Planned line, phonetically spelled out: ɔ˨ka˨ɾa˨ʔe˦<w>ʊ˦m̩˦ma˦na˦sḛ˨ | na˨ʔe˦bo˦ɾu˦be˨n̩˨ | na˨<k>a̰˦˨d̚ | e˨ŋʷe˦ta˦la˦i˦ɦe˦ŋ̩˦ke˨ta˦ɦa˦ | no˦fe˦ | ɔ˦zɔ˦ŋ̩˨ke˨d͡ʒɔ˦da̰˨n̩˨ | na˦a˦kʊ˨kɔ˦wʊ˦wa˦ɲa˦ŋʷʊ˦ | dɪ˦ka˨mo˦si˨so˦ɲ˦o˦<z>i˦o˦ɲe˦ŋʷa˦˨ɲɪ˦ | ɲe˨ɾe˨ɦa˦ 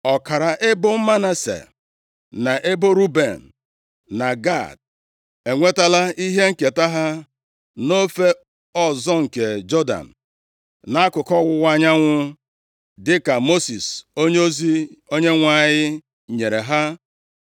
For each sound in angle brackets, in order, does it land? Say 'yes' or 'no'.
no, no, yes

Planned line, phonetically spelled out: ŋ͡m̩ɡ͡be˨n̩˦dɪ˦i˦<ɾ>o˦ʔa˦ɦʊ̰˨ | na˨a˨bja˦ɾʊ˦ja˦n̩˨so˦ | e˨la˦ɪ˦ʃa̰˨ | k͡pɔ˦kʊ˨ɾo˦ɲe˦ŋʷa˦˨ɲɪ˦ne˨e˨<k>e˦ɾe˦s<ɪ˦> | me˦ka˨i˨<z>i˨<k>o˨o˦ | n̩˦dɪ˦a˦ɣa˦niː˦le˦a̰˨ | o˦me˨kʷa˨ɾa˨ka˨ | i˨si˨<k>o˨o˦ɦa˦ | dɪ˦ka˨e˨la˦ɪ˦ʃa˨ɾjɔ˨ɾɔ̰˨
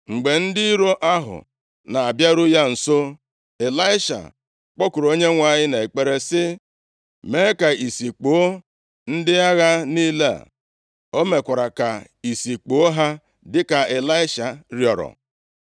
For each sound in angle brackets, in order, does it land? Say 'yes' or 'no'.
yes, no, yes, no, no, no

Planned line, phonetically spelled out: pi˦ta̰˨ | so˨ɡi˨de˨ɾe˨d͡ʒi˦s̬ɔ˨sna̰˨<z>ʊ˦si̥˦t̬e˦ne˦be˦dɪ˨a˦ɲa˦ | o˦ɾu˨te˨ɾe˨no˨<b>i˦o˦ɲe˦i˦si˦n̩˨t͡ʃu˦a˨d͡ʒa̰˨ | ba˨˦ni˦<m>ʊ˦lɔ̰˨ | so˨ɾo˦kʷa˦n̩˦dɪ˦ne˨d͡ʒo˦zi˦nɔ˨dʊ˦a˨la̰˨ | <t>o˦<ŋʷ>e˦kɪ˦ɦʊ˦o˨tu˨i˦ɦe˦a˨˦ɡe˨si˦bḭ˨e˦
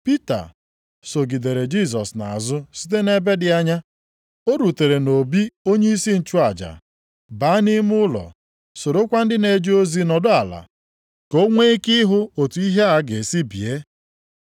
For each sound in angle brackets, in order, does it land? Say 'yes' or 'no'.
yes, yes, yes, no, yes

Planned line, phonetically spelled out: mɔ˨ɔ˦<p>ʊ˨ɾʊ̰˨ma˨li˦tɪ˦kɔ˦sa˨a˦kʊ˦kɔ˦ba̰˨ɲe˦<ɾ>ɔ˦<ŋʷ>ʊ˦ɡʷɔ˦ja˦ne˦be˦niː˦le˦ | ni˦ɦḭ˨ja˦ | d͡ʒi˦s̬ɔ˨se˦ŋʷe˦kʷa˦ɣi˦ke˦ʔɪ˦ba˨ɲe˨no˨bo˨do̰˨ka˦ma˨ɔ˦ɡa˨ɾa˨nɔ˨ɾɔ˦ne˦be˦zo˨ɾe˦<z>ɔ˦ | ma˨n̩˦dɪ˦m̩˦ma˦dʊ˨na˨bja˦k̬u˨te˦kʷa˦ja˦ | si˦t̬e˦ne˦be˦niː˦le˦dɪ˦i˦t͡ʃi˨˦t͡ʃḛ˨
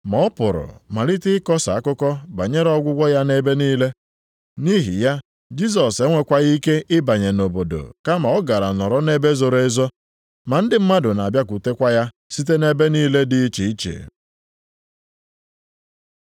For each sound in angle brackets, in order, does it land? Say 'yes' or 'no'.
yes, yes, no, yes

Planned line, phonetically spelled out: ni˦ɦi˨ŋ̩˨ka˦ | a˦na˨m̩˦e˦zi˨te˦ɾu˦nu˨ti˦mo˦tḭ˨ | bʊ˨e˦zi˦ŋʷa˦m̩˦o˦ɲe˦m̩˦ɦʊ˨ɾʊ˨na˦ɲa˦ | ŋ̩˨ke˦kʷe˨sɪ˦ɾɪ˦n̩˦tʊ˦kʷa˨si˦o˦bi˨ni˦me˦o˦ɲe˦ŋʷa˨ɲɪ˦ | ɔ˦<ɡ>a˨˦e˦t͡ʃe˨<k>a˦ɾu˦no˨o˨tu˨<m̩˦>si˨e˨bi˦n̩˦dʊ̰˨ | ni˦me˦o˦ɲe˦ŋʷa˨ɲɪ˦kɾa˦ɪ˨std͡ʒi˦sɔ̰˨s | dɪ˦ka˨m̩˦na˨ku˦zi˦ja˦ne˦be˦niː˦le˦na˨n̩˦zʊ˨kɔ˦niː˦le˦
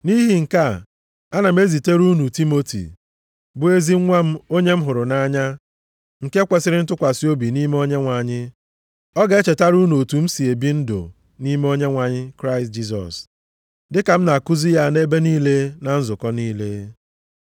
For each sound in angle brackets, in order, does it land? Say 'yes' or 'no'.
yes, no, yes

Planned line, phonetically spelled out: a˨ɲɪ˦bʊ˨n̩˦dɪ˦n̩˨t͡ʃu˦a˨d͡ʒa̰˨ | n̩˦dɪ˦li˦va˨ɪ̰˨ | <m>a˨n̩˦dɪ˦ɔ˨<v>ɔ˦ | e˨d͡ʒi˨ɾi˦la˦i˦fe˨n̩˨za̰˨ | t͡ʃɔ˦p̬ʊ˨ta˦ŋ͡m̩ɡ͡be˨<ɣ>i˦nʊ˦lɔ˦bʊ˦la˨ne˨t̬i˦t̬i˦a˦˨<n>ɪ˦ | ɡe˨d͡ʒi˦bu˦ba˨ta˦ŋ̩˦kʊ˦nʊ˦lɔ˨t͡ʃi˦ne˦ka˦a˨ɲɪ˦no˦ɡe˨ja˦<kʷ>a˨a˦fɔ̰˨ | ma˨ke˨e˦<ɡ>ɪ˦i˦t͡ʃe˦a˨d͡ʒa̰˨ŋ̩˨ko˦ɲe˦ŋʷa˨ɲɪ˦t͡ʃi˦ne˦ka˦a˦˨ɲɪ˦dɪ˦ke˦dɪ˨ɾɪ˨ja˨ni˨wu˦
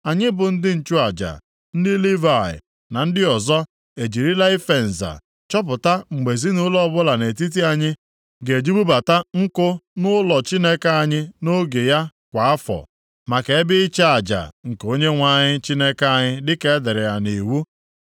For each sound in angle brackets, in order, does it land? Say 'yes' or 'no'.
no, no, no, no, yes, no

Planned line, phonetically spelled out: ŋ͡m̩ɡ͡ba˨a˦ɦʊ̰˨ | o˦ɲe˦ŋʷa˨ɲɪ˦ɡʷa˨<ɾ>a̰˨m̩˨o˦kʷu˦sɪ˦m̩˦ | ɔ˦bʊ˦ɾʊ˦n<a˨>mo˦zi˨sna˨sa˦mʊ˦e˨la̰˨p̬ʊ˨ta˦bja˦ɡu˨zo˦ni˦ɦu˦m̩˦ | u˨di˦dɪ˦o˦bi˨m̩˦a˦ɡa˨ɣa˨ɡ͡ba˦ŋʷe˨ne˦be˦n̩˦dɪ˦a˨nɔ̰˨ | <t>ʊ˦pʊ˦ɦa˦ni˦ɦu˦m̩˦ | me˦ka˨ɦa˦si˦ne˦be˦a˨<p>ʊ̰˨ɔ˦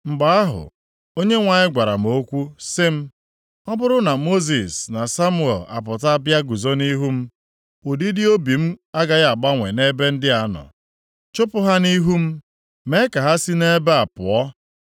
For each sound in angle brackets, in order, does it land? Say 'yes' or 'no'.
yes, yes, no, yes

